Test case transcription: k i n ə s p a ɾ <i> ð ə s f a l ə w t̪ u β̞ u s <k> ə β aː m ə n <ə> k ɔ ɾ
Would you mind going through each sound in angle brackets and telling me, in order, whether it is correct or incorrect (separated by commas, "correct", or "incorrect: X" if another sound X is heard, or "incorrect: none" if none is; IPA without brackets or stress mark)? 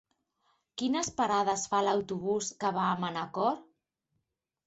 incorrect: a, correct, incorrect: a